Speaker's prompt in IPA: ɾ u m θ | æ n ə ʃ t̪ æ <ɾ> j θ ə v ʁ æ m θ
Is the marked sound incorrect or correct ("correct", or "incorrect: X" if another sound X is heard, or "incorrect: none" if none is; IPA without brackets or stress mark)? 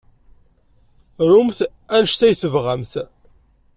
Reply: incorrect: none